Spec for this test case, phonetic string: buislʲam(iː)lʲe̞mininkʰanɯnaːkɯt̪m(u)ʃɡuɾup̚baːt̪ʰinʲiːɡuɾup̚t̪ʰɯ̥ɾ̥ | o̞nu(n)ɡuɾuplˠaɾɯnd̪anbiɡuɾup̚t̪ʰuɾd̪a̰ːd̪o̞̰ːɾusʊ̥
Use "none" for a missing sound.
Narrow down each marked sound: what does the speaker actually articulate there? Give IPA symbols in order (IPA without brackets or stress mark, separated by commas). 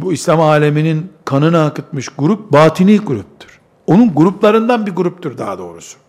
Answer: aː, ɯ, n